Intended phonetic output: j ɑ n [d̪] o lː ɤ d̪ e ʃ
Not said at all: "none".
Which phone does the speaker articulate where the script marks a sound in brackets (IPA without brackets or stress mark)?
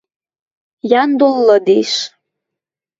d̪